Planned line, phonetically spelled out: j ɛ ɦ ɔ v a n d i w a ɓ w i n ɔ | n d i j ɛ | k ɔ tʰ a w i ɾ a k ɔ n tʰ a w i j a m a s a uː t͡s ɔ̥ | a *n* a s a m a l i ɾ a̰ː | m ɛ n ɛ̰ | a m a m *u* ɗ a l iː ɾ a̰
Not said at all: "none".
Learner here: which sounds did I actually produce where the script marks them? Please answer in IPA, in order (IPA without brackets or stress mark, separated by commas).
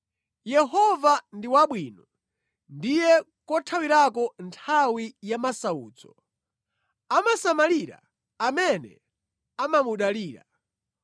m, u